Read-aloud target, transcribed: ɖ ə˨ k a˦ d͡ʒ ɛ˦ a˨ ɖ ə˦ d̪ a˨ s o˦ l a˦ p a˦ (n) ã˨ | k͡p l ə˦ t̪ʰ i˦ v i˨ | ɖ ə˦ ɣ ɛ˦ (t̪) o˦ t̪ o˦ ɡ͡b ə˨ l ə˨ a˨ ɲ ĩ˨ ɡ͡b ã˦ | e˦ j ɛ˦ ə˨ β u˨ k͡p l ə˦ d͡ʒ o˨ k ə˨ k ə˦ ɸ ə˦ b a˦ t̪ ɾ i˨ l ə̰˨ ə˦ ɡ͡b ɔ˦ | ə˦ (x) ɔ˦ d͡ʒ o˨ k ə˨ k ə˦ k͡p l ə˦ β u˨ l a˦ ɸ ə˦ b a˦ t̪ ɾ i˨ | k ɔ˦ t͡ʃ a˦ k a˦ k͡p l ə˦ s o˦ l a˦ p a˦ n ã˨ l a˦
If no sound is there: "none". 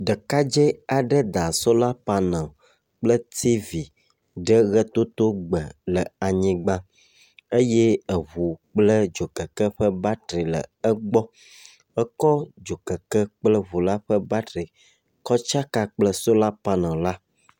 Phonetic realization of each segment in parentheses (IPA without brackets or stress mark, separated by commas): n, t̪, k